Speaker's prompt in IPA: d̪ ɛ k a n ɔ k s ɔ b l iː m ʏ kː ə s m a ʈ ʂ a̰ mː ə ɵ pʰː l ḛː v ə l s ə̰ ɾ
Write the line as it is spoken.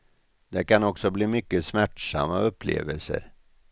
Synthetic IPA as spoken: d̪ ɛ k a n ɔ k s ɔ b l iː m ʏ kː ə s m æ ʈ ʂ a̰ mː a ɵ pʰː l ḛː v ə l s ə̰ ɾ